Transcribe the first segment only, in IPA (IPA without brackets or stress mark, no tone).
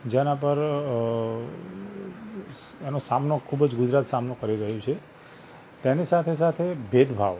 d͡ʒ